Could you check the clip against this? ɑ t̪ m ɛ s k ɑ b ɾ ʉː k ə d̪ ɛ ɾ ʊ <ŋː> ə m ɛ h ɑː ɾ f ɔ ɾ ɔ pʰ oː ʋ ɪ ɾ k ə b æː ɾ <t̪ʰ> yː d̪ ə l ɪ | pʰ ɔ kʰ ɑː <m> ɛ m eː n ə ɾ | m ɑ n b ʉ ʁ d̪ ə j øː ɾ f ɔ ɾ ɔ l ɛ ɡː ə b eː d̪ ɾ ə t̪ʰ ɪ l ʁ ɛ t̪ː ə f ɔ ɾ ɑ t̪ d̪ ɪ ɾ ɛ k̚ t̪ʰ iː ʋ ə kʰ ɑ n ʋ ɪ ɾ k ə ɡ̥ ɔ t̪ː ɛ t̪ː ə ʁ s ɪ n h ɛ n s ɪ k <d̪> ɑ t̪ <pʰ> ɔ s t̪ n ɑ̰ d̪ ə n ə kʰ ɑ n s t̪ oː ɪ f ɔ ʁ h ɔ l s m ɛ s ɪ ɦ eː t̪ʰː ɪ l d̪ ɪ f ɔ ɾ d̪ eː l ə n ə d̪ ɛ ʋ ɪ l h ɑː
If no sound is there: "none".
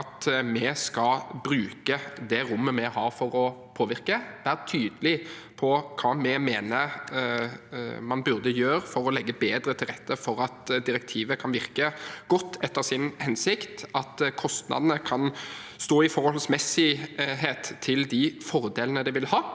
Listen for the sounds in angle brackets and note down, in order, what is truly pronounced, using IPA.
mː, t̪ʰ, m, t̪, kʰ

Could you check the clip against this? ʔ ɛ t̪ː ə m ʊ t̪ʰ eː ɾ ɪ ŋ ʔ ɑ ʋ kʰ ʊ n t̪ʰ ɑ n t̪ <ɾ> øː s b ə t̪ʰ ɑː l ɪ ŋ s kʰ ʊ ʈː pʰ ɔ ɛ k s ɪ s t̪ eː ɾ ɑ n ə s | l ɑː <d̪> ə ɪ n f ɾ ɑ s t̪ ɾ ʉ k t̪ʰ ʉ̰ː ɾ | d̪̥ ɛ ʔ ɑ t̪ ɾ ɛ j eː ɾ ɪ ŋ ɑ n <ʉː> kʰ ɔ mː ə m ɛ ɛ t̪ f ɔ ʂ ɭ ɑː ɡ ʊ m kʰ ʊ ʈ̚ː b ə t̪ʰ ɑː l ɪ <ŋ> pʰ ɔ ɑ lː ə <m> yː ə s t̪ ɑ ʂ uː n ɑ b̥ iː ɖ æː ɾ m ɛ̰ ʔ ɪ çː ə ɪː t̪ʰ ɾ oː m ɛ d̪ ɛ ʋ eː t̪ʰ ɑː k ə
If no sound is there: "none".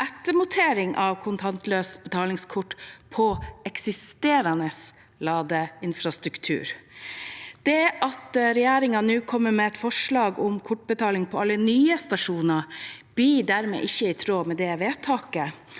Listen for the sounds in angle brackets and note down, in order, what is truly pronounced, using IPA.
l, d̪, ʉː, ŋ, n

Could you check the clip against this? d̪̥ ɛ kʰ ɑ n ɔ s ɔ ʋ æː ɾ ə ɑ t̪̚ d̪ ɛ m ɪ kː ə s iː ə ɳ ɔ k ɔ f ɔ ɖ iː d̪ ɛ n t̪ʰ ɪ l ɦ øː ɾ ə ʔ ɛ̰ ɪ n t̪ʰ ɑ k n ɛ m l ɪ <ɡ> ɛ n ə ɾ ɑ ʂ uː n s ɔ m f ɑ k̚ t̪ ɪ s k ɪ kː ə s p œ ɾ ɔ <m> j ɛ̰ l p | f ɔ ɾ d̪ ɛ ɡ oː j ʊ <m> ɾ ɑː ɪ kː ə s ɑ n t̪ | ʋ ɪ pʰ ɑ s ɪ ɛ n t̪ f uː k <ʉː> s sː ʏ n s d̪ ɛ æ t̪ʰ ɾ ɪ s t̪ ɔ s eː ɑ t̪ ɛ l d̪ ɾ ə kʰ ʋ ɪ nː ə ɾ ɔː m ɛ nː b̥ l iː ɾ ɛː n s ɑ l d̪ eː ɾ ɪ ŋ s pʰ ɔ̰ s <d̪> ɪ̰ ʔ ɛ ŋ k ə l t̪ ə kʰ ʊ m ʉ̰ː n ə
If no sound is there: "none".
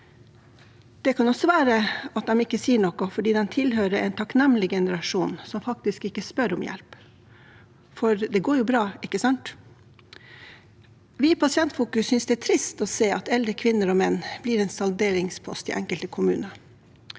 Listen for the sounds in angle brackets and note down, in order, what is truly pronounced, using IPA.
ɡ, m, b, ʉ, t̪

